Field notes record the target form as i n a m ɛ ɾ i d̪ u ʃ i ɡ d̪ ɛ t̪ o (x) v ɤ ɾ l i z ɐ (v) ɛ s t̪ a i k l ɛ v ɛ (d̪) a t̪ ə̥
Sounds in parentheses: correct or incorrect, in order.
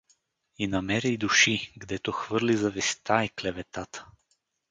correct, correct, incorrect: t̪

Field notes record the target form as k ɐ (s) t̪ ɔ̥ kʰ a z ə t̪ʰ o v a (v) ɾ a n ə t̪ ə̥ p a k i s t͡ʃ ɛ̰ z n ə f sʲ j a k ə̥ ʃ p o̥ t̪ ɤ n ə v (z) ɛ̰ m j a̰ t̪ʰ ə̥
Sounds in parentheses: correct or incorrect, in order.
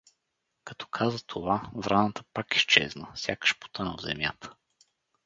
incorrect: none, correct, correct

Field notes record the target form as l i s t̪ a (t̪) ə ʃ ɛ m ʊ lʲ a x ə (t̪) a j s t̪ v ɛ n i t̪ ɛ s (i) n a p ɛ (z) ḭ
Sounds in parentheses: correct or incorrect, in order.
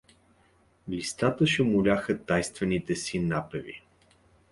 correct, correct, correct, incorrect: v

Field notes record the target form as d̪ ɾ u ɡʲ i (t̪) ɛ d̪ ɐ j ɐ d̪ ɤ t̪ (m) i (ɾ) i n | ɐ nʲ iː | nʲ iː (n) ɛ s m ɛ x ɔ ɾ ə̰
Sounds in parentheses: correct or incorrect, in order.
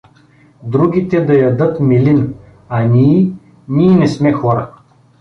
correct, correct, incorrect: l, correct

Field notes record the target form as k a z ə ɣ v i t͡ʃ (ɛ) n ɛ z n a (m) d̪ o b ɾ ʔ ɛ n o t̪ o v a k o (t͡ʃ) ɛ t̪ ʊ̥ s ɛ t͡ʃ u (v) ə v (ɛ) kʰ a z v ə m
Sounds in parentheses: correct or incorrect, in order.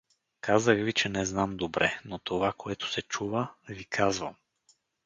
correct, correct, incorrect: none, correct, incorrect: i

